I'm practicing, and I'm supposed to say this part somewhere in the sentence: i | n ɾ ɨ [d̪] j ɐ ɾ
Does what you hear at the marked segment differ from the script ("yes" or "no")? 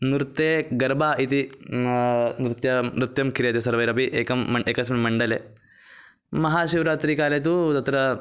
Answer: yes